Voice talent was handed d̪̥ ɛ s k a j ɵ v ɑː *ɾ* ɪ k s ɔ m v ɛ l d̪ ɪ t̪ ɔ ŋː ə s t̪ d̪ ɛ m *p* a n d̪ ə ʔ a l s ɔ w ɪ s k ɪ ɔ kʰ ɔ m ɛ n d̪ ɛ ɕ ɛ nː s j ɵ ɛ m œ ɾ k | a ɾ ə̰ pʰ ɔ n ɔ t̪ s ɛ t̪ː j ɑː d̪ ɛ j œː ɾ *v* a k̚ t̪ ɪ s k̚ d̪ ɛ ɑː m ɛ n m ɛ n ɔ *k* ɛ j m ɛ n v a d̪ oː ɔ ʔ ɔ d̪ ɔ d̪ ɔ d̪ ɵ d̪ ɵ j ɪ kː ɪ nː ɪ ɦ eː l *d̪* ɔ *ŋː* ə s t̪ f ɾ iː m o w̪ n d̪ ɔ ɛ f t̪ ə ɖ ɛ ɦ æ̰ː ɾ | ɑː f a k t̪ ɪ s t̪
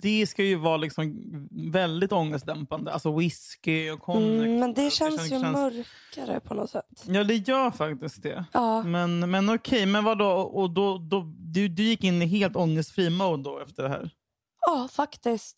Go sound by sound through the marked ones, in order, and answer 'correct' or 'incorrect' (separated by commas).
incorrect, correct, incorrect, incorrect, incorrect, correct